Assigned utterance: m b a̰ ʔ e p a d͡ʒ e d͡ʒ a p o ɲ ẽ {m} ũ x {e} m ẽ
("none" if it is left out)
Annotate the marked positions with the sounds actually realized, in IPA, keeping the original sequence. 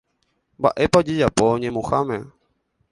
m, a

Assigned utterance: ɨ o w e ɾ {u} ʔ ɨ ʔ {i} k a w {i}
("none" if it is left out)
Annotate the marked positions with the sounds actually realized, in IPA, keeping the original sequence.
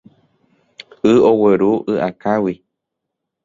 u, a, i

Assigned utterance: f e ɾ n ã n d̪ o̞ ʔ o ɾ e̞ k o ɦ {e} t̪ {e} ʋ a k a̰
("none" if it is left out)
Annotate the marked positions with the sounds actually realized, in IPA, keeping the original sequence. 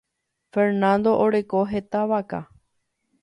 e, a

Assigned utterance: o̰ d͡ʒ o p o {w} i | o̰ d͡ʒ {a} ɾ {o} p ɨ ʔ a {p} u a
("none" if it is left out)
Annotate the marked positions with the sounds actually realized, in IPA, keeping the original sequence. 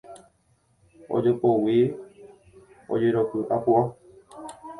w, e, o, p

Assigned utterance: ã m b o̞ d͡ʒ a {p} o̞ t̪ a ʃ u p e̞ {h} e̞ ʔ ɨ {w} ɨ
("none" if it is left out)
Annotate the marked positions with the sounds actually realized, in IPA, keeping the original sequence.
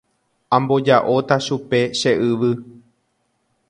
ʔ, ʃ, ʋ

